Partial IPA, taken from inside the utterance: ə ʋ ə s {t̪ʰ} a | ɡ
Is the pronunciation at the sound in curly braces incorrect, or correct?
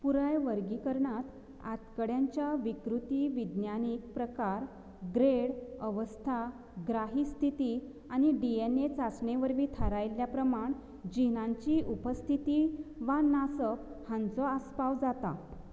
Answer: correct